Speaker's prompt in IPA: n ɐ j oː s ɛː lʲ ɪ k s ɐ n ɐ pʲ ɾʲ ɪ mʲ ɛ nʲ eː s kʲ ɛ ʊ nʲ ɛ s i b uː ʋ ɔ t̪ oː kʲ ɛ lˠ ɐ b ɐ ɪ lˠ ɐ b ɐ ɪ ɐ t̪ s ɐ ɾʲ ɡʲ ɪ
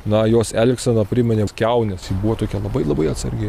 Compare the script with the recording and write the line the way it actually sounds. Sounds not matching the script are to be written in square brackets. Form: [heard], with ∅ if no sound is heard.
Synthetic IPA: n ɐ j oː s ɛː lʲ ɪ k s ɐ n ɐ pʲ ɾʲ ɪ mʲ ɛ nʲ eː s kʲ ɛ ʊ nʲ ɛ s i b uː ʋ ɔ t̪ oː kʲ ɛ lˠ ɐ b ɐ ɪ lˠ ɐ b ɐ ɪ ɐ t̪ s ɐ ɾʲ ɡʲ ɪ